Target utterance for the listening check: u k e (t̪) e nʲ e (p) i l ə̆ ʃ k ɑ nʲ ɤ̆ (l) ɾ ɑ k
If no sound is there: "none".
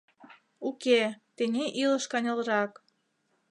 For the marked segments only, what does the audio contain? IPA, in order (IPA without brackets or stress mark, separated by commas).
t̪, ʔ, l